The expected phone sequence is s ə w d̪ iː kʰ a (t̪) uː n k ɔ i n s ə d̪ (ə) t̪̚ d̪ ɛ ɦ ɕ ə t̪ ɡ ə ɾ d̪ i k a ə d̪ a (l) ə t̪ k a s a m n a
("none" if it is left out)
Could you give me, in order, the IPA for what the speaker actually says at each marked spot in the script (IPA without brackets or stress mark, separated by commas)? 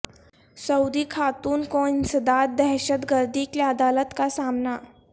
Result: t̪, a, l